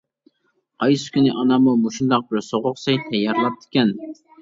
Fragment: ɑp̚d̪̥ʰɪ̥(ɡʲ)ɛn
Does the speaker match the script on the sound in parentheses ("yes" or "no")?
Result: no